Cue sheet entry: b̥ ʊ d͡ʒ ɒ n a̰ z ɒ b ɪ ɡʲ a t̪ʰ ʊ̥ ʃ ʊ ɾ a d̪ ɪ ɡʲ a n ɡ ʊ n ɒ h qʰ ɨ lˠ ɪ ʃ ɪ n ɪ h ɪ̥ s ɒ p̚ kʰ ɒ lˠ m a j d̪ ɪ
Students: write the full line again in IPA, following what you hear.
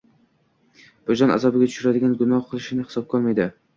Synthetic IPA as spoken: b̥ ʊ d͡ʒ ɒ n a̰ z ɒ b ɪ ɡʲ a t̪ʰ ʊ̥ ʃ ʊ ɾ a d̪ ɪ ɡʲ a n ɡ ʊ n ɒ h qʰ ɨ lˠ ɪ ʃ ɪ n ɪ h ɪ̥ s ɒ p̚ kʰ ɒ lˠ m a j d̪ ɪ